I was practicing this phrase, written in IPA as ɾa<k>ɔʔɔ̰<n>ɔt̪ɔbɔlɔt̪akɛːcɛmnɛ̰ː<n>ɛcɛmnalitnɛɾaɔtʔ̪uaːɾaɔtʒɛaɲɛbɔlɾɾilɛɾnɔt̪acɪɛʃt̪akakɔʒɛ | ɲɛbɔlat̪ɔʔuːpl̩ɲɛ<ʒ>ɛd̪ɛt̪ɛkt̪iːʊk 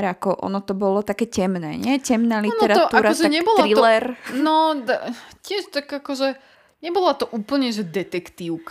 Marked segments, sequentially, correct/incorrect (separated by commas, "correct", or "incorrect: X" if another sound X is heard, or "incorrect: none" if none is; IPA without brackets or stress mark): correct, correct, incorrect: ɲ, correct